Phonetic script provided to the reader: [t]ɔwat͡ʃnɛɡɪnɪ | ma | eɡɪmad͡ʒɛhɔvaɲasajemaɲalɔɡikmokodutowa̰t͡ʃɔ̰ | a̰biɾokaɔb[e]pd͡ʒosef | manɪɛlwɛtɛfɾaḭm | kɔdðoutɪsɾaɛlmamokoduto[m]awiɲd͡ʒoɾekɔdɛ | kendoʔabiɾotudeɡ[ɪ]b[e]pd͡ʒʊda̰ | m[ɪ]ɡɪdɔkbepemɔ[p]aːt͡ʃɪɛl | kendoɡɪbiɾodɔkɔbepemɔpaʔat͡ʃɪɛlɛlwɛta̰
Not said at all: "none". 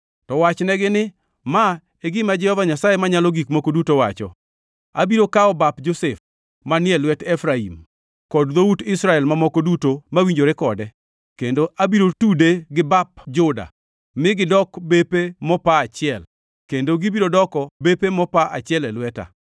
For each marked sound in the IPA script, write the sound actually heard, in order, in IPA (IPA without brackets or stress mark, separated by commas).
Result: t, a, m, ɪ, a, ɪ, p